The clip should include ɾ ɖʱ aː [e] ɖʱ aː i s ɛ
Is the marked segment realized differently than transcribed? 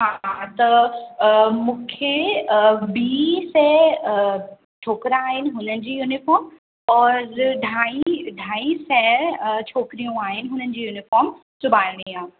yes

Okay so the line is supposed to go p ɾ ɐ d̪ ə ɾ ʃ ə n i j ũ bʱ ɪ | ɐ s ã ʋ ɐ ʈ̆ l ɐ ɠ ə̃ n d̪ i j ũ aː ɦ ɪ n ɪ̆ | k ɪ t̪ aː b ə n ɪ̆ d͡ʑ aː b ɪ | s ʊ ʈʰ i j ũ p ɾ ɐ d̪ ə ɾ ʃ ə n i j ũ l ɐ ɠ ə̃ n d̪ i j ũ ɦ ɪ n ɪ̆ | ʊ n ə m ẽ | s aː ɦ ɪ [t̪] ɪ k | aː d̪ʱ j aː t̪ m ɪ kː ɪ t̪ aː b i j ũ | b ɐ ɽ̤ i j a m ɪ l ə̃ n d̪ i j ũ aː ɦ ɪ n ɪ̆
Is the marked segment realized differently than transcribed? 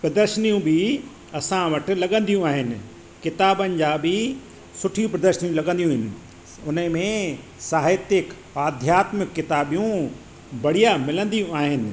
no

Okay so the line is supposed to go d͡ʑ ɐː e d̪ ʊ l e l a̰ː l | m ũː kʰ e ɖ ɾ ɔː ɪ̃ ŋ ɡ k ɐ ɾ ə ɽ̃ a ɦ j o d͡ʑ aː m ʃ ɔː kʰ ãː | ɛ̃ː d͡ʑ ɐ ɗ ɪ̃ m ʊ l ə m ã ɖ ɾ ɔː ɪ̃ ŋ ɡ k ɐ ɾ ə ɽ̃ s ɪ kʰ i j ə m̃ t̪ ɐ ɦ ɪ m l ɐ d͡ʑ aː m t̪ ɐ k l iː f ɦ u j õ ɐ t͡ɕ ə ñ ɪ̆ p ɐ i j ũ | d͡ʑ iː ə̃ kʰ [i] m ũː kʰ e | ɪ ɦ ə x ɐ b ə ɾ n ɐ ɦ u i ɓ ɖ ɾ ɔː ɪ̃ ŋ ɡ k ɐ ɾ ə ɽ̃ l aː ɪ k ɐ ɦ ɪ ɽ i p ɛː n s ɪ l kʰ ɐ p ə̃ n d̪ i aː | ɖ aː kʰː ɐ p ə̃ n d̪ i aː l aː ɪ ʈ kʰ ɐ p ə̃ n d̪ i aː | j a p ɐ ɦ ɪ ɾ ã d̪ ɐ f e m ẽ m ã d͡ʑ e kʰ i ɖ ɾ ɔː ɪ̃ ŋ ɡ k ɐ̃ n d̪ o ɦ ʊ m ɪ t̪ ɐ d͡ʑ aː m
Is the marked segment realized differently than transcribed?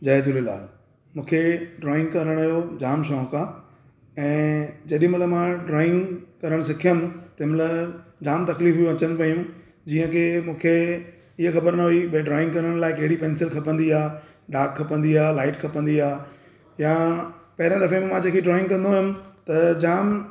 yes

